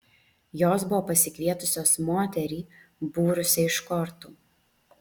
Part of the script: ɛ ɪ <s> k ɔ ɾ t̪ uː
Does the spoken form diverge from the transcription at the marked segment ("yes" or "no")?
yes